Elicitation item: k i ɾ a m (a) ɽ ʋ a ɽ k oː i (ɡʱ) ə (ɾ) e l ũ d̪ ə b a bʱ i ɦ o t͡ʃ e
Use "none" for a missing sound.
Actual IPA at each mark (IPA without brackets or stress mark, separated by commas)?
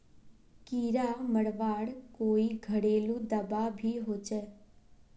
ə, ɡʱ, ɽ